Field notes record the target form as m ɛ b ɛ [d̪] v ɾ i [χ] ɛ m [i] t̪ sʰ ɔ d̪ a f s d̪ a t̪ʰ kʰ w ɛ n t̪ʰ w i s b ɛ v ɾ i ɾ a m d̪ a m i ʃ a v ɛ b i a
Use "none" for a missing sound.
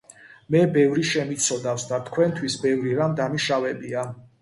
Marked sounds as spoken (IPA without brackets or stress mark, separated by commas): none, ʃ, i